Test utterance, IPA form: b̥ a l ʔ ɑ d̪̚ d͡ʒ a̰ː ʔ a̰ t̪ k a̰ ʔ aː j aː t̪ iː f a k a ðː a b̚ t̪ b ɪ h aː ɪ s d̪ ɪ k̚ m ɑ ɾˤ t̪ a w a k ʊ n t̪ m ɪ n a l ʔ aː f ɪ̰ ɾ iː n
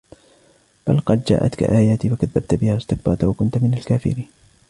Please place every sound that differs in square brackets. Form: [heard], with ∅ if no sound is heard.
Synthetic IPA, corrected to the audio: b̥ a l [q] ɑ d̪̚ d͡ʒ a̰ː ʔ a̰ t̪ k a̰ ʔ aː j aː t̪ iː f a k a ðː a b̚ t̪ b ɪ h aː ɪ s [t̪] ɪ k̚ [b] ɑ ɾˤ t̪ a w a k ʊ n t̪ m ɪ n a l [k] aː f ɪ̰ ɾ iː n